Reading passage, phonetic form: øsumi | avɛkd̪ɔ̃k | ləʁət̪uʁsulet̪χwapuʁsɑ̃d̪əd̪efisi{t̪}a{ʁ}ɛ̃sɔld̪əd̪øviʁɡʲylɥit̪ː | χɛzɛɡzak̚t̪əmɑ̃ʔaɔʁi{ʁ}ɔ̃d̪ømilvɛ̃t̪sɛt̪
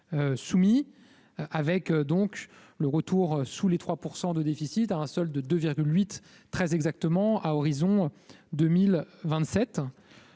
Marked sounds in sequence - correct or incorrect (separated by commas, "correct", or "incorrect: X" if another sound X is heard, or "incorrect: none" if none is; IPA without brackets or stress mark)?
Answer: correct, incorrect: none, incorrect: z